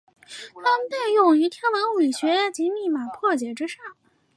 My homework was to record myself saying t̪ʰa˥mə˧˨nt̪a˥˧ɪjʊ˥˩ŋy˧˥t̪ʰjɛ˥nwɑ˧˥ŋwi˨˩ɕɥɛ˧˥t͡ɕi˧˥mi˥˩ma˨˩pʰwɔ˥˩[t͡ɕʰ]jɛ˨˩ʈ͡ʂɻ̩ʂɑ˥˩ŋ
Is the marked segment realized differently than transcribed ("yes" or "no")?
yes